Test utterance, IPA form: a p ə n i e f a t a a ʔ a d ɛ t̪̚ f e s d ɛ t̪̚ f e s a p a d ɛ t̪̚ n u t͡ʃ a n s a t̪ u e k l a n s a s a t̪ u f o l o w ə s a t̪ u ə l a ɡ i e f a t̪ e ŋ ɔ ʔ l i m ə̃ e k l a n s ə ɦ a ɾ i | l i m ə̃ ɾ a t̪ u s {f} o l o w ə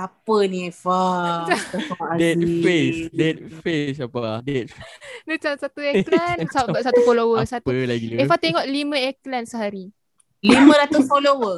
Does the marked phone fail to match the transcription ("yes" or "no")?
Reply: no